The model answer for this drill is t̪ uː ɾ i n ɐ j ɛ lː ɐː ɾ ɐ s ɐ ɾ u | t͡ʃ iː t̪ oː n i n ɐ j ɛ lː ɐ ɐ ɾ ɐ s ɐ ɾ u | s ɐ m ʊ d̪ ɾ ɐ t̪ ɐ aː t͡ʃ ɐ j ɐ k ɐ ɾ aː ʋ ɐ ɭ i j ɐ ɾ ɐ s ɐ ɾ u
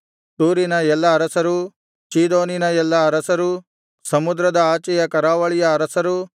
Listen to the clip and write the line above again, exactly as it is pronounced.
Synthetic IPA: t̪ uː ɾ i n ɐ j ɛ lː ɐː ɾ ɐ s ɐ ɾ u | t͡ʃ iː d̪ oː n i n ɐ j ɛ lː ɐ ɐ ɾ ɐ s ɐ ɾ u | s ɐ m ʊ d̪ ɾ ɐ d̪ ɐ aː t͡ʃ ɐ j ɐ k ɐ ɾ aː ʋ ɐ ɭ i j ɐ ɾ ɐ s ɐ ɾ u